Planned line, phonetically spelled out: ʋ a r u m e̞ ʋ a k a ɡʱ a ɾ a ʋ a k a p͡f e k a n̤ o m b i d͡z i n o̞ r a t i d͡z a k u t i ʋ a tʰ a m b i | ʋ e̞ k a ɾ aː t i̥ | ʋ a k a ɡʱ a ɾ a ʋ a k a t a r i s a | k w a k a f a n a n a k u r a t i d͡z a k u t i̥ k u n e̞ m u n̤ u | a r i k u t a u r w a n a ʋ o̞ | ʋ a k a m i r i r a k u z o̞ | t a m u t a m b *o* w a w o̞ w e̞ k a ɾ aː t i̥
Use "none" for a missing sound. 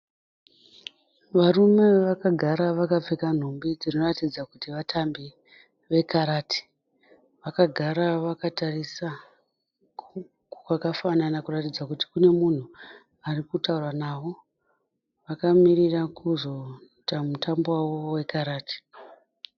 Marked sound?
o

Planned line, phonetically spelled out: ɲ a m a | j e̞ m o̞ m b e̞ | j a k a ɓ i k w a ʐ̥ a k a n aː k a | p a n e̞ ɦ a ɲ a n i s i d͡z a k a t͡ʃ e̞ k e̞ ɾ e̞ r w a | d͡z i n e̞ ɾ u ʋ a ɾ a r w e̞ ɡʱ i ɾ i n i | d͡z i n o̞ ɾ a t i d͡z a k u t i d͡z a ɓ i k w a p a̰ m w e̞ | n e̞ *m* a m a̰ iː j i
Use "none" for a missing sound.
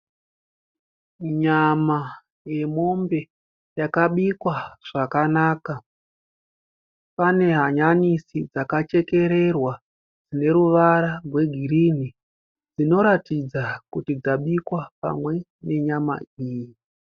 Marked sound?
ɲ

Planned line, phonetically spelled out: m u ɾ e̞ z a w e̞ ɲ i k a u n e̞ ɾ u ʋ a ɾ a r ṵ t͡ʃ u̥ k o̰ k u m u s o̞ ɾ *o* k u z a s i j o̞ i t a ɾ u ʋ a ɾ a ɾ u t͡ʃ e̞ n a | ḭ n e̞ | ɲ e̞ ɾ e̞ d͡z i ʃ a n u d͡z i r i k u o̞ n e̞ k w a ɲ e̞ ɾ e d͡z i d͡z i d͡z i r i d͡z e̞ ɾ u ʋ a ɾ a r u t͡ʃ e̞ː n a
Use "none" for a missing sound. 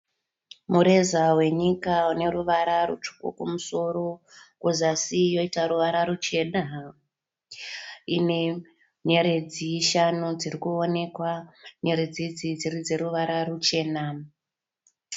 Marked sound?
o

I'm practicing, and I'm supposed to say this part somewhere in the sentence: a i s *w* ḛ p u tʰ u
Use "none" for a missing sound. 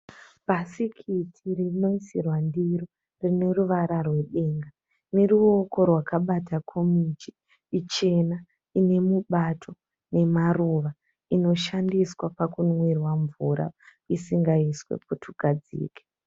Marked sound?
w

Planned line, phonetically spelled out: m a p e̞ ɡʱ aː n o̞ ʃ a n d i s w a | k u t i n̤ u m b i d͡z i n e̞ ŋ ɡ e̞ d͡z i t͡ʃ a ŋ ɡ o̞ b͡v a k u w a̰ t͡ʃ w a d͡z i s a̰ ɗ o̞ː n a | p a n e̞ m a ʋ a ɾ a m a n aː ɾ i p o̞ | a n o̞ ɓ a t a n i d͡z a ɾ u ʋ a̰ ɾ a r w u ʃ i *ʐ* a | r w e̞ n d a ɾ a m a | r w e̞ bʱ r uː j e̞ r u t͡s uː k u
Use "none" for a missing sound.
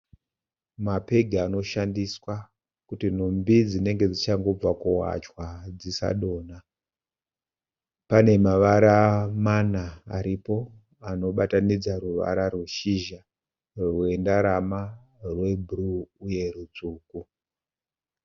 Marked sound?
ʒ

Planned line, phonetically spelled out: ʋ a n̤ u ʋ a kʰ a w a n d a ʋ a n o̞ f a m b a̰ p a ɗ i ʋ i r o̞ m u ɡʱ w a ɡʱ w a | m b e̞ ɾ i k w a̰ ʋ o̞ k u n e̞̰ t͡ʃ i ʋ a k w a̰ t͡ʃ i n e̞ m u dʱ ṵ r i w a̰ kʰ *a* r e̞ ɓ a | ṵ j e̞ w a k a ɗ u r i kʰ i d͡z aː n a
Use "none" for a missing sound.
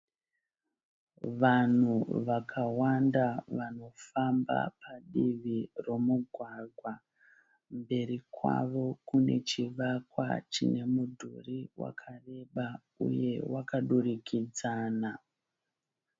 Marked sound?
a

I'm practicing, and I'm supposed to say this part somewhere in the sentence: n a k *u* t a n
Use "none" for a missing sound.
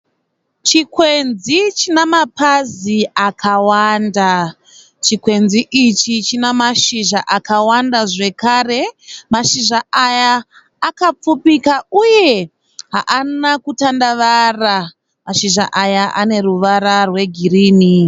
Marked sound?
u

